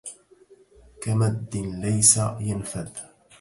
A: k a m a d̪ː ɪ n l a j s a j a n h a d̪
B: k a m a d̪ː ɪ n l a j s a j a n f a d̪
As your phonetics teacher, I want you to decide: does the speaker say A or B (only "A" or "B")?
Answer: B